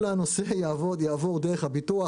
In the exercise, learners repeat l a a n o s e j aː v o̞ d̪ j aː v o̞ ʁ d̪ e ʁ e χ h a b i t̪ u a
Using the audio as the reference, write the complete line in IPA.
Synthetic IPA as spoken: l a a n o s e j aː v o̞ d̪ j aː v o̞ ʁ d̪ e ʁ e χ h a b i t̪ u a